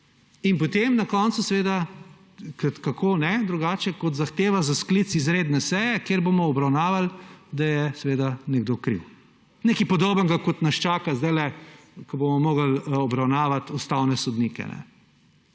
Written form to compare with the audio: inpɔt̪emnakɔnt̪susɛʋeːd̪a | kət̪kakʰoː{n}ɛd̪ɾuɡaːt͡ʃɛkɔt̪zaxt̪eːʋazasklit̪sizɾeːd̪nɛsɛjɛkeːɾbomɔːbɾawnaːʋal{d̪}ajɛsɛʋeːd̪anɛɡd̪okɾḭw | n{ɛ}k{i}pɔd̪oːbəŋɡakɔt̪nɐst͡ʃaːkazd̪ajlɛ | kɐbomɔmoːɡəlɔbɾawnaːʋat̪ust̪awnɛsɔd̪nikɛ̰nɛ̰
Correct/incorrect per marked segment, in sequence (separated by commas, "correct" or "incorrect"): correct, correct, incorrect, correct